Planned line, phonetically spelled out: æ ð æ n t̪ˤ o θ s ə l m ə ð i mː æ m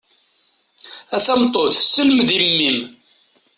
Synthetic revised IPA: æ θ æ m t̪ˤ o θ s ə l m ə ð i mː i m